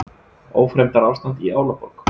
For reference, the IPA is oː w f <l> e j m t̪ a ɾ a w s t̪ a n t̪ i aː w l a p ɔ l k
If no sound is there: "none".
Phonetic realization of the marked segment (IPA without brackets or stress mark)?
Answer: ɾ